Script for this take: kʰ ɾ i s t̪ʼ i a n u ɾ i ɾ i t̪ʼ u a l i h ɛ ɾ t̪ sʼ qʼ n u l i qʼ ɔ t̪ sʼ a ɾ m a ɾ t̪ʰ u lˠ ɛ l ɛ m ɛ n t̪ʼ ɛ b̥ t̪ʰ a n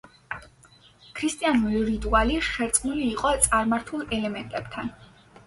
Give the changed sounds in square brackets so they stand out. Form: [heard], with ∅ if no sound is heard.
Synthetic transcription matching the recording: kʰ ɾ i s t̪ʼ i a n u ɾ i ɾ i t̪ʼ u a l i [ʃ] ɛ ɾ t̪ sʼ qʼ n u l [iː] qʼ ɔ t̪ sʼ a ɾ m a ɾ t̪ʰ u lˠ ɛ l ɛ m ɛ n t̪ʼ ɛ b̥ t̪ʰ a n

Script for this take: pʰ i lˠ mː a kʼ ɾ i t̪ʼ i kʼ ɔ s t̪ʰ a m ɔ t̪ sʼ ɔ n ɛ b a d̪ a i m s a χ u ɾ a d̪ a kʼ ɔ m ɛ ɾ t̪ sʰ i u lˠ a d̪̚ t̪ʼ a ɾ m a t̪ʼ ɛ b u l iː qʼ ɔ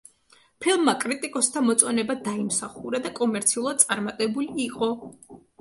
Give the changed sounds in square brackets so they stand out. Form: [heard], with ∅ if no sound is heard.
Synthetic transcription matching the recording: pʰ i lˠ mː a kʼ ɾ i t̪ʼ i kʼ ɔ s t̪ʰ a m ɔ t̪ sʼ ɔ n ɛ b a d̪ a i m s a χ u ɾ a d̪ a kʼ ɔ m ɛ ɾ t̪ sʰ i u lˠ a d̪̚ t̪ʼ a ɾ m a t̪ʼ ɛ b u l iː qʼ ɔ

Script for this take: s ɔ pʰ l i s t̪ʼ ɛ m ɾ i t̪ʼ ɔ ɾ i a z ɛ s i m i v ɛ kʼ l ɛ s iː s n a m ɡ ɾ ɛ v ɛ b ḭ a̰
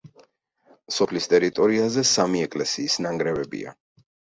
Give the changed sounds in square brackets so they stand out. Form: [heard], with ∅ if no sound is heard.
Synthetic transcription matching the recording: s ɔ pʰ l i s t̪ʼ ɛ [∅] ɾ i t̪ʼ ɔ ɾ i a z ɛ s [a] m i [∅] ɛ kʼ l ɛ s iː s n a [ŋ] ɡ ɾ ɛ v ɛ b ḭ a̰

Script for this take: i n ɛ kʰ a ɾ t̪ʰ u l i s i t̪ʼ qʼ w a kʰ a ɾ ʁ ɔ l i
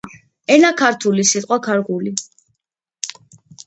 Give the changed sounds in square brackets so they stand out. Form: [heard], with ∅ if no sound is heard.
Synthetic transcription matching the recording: [ɛ] n [a] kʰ a ɾ t̪ʰ u l i s i t̪ʼ qʼ w a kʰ a ɾ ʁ [u] l i

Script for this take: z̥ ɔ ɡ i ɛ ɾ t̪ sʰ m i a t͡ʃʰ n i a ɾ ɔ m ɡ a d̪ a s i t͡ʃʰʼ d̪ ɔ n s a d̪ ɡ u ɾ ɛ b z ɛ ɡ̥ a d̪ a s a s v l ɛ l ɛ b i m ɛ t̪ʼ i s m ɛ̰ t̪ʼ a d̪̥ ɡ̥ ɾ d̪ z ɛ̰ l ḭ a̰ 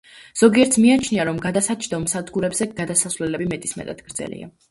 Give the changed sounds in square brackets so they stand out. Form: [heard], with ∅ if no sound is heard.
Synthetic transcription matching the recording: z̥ ɔ ɡ i ɛ ɾ t̪ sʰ m i a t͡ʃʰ n i a ɾ ɔ m ɡ a d̪ a s [a] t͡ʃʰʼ d̪ ɔ [m] s a d̪ ɡ u ɾ ɛ b z ɛ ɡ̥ a d̪ a s a s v l ɛ l ɛ b i m ɛ t̪ʼ i s m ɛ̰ t̪ʼ a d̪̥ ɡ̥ ɾ d̪ z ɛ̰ l ḭ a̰

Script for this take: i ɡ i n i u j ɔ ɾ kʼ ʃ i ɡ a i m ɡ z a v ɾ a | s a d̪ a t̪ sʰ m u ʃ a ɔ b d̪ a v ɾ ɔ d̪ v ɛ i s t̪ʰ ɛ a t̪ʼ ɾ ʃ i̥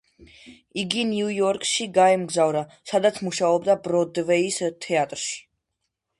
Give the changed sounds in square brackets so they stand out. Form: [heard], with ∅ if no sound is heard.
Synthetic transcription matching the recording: i ɡ i n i u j ɔ ɾ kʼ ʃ i ɡ a [ɛ] m ɡ z a v ɾ a | s a d̪ a t̪ sʰ m u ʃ a ɔ b d̪ a [b] ɾ ɔ d̪ v ɛ i s t̪ʰ ɛ a t̪ʼ ɾ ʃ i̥

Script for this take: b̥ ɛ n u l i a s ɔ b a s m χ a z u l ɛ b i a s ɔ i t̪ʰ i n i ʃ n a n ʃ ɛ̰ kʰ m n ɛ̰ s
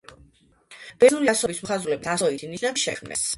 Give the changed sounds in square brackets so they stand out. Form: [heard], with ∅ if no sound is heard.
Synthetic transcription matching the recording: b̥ ɛ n u l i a s ɔ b [i] s m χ a z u l ɛ b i a s ɔ i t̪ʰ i n i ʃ n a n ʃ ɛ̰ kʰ m n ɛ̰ s

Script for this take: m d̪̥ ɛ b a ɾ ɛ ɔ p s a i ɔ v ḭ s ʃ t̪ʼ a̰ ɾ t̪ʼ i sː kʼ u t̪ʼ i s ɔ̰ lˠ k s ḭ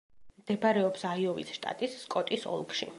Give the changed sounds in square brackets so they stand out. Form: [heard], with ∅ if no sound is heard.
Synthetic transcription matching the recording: m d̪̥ ɛ b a ɾ ɛ ɔ p s a i ɔ v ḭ s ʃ t̪ʼ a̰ [∅] t̪ʼ i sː kʼ [ɔ] t̪ʼ i s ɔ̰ lˠ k [ʃ] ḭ

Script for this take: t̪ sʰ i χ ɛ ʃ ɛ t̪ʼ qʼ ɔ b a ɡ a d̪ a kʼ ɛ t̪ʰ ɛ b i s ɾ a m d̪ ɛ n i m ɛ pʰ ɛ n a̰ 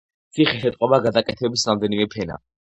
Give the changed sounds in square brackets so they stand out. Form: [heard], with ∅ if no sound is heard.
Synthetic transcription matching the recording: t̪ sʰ i χ ɛ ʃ ɛ t̪ʼ qʼ ɔ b a ɡ a d̪ a kʼ ɛ t̪ʰ ɛ b i s ɾ a m d̪ ɛ n i m ɛ pʰ ɛ n a̰

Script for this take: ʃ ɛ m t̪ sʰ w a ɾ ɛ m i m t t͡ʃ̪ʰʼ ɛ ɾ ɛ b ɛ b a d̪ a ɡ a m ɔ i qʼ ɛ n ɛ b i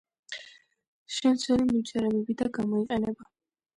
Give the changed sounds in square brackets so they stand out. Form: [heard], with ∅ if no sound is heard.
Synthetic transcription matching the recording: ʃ ɛ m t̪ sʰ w [ɛ] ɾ [i] m i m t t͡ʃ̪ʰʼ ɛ ɾ ɛ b ɛ b [i] d̪ a ɡ a m ɔ i qʼ ɛ n ɛ b [a]

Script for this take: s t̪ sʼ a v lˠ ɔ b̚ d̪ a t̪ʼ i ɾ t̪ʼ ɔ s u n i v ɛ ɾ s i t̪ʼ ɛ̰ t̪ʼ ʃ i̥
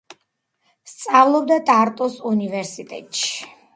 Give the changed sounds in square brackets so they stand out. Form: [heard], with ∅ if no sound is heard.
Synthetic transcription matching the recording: s t̪ sʼ a v lˠ ɔ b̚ d̪ a t̪ʼ [a] ɾ t̪ʼ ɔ s u n i v ɛ ɾ s i t̪ʼ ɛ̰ t̪ʼ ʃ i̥

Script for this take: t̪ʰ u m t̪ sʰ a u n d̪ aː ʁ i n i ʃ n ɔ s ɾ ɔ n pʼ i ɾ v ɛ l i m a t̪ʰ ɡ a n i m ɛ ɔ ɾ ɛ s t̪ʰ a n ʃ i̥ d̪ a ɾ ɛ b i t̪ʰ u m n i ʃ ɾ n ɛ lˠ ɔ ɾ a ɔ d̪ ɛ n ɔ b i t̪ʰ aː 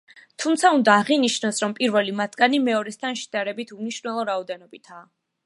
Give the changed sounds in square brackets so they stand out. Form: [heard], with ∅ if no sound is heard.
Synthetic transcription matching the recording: t̪ʰ u m t̪ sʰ a u n d̪ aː ʁ i n i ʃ n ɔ s ɾ ɔ [m] pʼ i ɾ v ɛ l i m a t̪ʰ ɡ a n i m ɛ ɔ ɾ ɛ s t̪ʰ a n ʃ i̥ d̪ a ɾ ɛ b i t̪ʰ u m n i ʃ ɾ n ɛ lˠ ɔ ɾ a ɔ d̪ ɛ n ɔ b i t̪ʰ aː

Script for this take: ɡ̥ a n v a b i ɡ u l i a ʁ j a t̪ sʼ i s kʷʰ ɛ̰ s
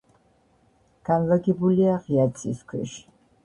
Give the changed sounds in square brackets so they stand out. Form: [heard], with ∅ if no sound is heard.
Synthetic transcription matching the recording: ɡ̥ a n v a [ɡ] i [b] u l i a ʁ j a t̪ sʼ i s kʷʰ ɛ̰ [ʃ]

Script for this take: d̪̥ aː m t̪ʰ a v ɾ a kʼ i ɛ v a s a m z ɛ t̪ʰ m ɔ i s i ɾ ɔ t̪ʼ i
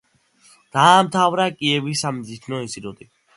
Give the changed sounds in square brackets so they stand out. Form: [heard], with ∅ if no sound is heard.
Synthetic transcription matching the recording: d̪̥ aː m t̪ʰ a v ɾ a kʼ i ɛ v [i] s a m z [i] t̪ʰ [n] ɔ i s i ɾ ɔ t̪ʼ i

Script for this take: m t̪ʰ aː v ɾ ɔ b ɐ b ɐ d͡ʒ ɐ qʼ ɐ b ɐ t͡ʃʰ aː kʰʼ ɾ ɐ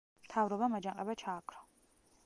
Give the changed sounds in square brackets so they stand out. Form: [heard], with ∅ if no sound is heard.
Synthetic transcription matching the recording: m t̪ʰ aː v ɾ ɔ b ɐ [m] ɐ d͡ʒ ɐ qʼ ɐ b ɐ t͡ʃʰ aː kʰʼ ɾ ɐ

